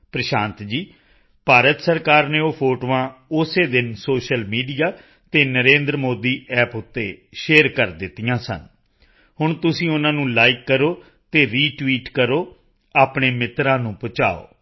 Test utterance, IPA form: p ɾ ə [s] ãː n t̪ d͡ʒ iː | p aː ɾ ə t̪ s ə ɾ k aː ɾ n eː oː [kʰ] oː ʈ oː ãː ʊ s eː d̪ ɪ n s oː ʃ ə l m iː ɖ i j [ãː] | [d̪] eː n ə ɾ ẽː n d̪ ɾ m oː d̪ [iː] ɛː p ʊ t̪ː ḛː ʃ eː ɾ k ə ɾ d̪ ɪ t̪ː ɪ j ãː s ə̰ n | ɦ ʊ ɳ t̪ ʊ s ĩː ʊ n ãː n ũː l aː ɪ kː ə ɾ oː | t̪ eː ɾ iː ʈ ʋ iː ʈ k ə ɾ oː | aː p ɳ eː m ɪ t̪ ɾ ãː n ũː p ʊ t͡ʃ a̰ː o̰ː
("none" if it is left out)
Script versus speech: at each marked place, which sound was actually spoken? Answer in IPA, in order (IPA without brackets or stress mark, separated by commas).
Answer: ʃ, pʰ, aː, t̪, iː